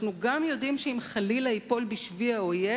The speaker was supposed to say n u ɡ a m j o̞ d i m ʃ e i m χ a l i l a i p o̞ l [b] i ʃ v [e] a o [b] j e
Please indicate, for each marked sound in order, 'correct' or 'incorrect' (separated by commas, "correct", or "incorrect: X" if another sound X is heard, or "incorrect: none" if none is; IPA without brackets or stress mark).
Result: correct, incorrect: i, incorrect: none